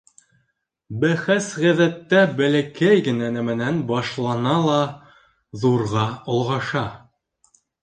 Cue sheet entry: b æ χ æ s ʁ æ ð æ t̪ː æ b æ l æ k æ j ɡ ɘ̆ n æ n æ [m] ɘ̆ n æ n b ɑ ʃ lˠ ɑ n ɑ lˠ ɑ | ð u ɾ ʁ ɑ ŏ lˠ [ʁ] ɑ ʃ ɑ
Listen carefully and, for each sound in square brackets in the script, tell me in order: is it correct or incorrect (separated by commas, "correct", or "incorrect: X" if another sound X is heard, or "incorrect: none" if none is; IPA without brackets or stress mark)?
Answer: correct, correct